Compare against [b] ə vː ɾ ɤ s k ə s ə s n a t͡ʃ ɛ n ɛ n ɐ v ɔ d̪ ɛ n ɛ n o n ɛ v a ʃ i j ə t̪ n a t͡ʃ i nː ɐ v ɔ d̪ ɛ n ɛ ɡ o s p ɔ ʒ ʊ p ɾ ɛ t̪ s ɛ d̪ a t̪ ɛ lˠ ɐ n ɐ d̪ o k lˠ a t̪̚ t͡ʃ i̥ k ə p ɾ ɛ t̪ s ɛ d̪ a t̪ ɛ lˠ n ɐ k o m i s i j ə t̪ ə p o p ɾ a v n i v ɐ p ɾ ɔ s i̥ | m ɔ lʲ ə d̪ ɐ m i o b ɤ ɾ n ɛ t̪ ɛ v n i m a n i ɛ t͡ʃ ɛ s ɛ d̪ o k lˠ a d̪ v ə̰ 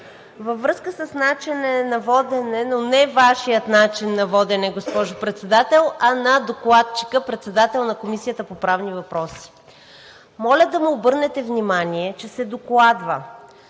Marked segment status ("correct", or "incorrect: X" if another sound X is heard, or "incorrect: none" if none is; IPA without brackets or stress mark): incorrect: v